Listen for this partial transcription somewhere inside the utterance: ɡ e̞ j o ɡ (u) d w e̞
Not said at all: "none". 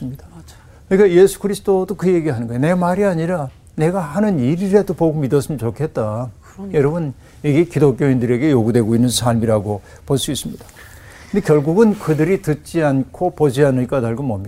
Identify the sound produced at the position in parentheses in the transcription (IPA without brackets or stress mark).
u